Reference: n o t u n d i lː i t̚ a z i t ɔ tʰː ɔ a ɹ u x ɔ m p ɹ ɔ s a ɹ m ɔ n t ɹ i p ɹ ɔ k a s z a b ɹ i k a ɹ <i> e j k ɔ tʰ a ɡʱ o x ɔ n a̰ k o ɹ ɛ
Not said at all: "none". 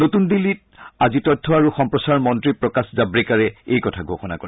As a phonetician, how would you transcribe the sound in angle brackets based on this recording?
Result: ɛ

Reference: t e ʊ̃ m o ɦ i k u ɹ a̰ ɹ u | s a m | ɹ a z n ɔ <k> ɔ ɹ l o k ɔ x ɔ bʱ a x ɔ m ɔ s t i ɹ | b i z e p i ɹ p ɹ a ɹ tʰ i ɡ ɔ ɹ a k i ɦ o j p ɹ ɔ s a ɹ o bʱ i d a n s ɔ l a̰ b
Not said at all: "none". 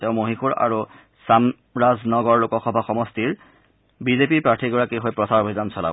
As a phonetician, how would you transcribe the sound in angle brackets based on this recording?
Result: ɡ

